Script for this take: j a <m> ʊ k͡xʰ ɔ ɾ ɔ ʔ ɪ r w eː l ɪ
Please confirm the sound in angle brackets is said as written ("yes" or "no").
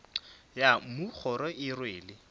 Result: yes